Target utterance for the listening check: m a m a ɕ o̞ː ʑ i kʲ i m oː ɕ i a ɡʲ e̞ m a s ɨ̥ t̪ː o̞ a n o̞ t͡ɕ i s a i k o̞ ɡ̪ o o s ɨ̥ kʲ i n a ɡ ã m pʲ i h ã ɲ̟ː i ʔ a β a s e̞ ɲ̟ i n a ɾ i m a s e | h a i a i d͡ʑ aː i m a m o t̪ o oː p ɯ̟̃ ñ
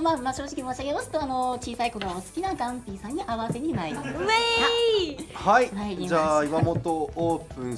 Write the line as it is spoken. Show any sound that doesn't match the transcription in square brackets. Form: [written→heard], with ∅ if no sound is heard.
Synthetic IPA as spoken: m a m a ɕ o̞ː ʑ i kʲ i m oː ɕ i a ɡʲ e̞ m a s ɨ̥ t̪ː o̞ a n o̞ t͡ɕ [i→iː] s a i k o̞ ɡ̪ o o s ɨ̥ kʲ i n a ɡ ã m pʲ i [h→s] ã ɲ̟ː i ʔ a β a s e̞ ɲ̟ i n a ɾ i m a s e | h a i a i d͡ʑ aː i m a m o t̪ o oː p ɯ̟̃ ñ